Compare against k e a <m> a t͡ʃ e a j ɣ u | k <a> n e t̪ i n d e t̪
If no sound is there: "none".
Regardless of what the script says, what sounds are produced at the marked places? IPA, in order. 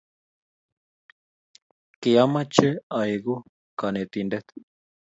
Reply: m, a

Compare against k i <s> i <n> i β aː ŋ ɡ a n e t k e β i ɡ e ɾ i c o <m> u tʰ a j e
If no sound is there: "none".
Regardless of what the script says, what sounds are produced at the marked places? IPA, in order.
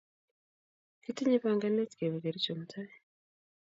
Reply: t, ɲ, m

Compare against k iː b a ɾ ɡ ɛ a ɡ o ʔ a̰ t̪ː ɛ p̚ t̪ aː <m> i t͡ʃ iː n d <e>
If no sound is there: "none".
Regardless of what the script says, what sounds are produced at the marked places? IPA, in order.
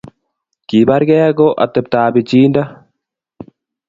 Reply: b, a

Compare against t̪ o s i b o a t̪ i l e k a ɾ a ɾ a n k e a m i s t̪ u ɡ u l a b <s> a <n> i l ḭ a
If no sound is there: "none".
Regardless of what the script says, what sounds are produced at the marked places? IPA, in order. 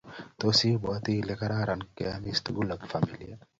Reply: f, m

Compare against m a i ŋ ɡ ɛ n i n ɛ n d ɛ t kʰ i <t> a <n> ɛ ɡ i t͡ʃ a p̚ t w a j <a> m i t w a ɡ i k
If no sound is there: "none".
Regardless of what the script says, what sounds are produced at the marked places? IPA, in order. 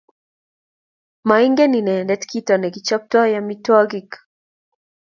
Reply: t, n, a

